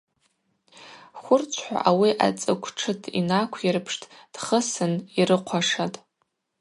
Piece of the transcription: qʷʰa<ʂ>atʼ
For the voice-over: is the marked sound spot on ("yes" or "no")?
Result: yes